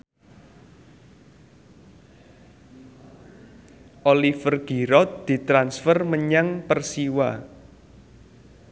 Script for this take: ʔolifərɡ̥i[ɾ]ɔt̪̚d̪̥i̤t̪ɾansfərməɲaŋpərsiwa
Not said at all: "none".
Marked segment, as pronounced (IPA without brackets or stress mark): ɾ